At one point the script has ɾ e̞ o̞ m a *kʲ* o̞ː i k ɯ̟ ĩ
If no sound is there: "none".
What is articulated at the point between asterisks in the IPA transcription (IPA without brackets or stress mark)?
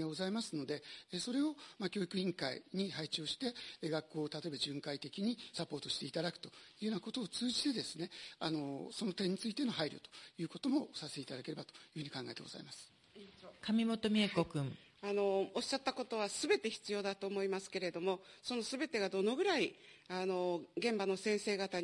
kʲ